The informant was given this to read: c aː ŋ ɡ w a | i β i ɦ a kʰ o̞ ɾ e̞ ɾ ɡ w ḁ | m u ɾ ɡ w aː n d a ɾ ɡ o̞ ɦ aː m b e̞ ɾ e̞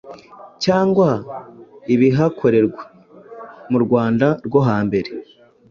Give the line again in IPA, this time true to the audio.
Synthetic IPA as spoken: c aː ŋ ɡ w a | i β i ɦ a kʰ o̞ ɾ e̞ ɾ ɡ w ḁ | m u ɾ ɡ w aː n d a ɾ ɡ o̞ ɦ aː m b e̞ ɾ e̞